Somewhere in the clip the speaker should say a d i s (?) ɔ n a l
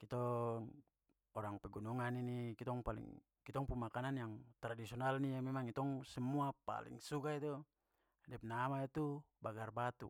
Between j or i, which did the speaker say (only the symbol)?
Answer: i